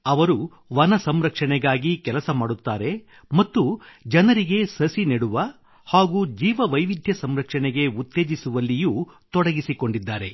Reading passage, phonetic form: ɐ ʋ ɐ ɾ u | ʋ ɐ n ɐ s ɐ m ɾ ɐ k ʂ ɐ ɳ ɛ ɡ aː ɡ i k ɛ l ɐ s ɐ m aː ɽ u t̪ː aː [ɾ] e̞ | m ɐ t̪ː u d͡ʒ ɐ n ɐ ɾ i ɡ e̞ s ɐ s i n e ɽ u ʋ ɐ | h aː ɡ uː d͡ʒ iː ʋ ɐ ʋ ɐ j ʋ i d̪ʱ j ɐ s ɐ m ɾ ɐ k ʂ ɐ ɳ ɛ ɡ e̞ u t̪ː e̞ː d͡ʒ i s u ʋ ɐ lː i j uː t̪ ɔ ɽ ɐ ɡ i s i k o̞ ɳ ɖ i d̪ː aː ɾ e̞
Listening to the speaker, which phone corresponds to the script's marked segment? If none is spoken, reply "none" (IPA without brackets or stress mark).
ɾ